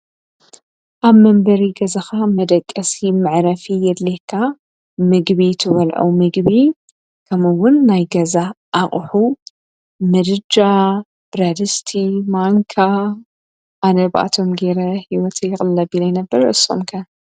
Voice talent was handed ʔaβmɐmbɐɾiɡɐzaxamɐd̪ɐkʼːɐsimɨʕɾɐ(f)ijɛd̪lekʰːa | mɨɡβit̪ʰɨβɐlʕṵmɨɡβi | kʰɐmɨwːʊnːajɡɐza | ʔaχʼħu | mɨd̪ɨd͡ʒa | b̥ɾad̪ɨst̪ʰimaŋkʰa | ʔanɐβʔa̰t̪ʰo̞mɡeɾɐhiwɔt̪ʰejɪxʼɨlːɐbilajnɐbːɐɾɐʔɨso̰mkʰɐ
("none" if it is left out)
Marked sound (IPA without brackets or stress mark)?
f